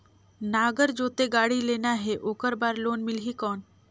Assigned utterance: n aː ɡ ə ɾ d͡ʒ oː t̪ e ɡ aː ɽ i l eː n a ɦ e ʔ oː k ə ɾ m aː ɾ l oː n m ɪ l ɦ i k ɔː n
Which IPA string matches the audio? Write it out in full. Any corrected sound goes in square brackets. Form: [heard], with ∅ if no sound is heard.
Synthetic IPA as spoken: n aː ɡ ə ɾ d͡ʒ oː t̪ e ɡ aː ɽ i l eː n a ɦ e ʔ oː k ə ɾ [b] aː ɾ l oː n m ɪ l ɦ i k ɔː n

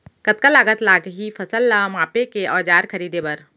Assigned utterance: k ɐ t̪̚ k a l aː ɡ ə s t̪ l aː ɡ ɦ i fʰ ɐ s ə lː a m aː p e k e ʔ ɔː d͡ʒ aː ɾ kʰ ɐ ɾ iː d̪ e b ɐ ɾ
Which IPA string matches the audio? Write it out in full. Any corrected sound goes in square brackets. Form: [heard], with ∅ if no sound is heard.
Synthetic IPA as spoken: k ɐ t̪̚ k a l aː ɡ ə [∅] t̪ l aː ɡ ɦ i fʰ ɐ s ə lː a m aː p e k e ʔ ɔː d͡ʒ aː ɾ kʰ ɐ ɾ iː d̪ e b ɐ ɾ

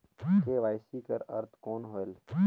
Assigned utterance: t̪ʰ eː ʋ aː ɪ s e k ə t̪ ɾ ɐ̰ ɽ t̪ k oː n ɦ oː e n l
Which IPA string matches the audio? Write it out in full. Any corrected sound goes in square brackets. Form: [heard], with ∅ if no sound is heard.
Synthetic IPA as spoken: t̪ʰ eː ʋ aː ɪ s [i] k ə [∅] ɾ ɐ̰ [ɾ] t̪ k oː n ɦ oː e [∅] l

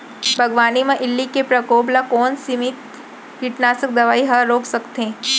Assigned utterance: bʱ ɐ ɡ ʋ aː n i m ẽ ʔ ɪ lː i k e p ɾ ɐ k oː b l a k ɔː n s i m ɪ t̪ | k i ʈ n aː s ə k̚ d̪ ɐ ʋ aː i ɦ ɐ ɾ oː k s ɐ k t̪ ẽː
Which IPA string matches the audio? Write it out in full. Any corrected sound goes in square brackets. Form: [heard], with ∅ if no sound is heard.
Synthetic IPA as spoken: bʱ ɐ ɡ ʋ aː n i m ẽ ʔ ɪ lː i k e p ɾ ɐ k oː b l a k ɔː n s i m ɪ t̪ | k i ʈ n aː s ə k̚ d̪ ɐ ʋ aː i ɦ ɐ ɾ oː k s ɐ k t̪ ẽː

